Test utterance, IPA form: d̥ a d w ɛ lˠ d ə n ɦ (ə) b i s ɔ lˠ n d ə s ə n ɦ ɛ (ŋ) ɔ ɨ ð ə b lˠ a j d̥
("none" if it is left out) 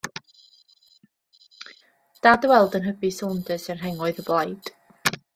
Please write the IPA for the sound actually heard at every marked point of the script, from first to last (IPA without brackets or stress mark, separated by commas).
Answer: ə, ŋ